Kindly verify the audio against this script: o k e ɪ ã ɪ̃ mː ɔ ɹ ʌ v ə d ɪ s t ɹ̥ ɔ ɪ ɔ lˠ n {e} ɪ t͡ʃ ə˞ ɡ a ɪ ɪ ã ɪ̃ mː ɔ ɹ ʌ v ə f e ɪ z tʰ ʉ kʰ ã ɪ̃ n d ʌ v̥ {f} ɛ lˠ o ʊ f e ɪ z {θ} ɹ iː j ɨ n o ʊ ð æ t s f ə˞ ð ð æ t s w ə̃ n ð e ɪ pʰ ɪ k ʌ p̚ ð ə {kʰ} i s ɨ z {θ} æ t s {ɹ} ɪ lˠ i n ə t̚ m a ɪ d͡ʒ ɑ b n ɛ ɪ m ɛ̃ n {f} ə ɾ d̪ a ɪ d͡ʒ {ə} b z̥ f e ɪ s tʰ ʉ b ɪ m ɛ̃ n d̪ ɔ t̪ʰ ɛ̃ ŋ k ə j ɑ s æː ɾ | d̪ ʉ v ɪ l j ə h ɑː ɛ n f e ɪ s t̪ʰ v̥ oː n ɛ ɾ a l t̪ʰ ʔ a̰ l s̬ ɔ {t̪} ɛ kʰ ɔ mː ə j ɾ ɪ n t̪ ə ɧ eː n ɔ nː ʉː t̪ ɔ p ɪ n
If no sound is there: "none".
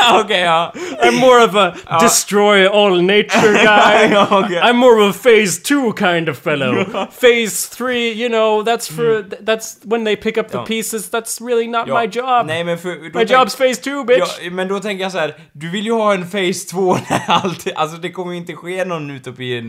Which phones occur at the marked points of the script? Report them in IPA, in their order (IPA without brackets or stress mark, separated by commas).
e, f, θ, pʰ, ð, ɹ, f, ɑ, d̪